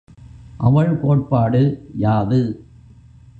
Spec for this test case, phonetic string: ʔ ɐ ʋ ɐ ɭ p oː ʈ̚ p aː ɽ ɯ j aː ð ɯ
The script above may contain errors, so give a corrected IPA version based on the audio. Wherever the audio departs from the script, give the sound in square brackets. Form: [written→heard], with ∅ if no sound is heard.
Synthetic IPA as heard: ʔ ɐ ʋ ɐ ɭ [p→k] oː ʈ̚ p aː ɽ ɯ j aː ð ɯ